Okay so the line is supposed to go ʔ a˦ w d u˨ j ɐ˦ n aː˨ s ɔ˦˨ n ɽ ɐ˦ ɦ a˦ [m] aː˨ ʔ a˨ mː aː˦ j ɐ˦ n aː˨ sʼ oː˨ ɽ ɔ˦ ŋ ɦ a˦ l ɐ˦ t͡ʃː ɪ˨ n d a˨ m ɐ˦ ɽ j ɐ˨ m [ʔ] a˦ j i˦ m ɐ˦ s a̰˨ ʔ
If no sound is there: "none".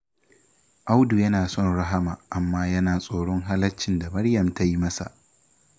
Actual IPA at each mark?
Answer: m, t

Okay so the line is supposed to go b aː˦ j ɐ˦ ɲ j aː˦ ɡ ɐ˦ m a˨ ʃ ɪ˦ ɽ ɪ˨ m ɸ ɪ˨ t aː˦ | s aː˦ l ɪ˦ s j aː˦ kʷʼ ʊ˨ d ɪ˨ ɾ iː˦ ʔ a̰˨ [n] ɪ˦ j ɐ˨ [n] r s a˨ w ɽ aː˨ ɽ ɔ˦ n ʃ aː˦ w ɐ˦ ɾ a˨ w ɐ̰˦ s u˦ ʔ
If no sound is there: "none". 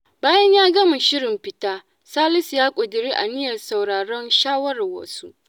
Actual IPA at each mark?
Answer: n, none

